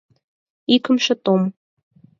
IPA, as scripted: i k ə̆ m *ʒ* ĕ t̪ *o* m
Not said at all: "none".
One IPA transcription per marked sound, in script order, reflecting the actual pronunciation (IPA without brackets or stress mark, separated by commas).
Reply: ʃ, o